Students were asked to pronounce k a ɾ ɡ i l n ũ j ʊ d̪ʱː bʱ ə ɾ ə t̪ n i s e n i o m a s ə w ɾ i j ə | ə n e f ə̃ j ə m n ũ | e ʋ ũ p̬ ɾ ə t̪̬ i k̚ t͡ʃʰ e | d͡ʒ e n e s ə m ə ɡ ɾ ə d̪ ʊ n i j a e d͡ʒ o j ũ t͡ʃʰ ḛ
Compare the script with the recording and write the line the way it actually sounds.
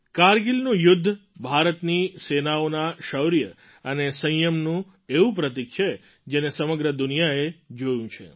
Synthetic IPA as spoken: k a ɾ ɡ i l n ũ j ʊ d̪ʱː bʱ a ɾ ə t̪ n i s e n a o n a ʃ ə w ɾ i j ə | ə n e s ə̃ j ə m n ũ | e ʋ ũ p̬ ɾ ə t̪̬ i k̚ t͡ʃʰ e | d͡ʒ e n e s ə m ə ɡ ɾ ə d̪ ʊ n i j a e d͡ʒ o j ũ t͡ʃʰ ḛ